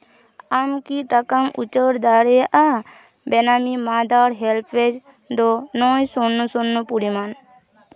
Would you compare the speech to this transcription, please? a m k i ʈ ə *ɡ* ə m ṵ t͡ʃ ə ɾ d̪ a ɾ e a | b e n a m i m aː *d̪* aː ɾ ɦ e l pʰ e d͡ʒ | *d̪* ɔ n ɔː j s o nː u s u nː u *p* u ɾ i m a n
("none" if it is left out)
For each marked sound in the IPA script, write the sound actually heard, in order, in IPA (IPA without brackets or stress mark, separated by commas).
k, d̪, d̪, p